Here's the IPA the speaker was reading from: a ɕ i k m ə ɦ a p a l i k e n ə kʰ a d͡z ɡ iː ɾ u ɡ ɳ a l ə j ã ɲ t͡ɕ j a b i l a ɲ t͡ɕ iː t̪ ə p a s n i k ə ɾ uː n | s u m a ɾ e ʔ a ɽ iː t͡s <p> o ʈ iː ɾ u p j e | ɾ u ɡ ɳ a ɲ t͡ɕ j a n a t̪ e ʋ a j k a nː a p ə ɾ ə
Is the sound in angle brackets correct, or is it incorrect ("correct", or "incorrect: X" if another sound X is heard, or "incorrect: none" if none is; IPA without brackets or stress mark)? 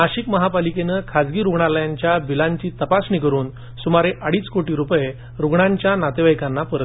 incorrect: k